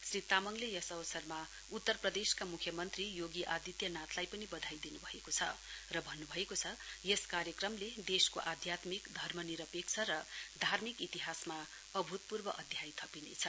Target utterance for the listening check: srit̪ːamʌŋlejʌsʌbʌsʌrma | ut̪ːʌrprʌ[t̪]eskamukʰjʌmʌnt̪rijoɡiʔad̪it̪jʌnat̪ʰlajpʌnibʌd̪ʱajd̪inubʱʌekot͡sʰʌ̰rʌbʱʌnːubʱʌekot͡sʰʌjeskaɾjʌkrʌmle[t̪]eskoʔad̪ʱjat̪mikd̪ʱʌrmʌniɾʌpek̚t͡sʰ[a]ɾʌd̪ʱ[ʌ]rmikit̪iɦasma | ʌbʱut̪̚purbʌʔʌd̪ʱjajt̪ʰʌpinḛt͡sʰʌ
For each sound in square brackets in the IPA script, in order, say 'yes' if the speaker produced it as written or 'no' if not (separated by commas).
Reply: no, no, no, no